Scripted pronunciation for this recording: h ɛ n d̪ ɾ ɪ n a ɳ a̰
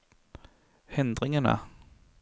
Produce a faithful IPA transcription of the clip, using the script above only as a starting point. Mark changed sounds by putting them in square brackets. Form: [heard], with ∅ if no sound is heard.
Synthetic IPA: h ɛ n d̪ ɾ ɪ [ŋ] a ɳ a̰